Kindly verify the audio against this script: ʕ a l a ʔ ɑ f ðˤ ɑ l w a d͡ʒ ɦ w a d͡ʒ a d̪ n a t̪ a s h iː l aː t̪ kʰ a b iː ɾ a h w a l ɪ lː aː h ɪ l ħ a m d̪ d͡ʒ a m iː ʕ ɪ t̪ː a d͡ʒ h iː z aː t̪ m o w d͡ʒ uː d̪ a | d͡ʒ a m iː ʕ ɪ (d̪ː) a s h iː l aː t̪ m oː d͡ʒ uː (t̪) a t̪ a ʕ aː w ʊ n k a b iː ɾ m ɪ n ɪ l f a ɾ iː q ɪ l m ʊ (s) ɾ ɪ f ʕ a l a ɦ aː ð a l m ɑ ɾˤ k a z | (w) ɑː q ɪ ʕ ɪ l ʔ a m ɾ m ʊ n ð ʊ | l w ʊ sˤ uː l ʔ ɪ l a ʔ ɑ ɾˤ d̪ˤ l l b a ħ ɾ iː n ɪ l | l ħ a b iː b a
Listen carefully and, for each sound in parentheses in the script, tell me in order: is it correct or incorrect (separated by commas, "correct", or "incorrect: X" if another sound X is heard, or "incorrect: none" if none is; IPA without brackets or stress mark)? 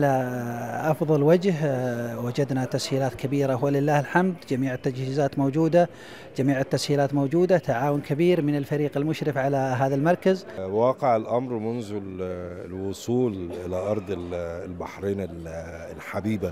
incorrect: t̪ː, incorrect: d̪, incorrect: ʃ, correct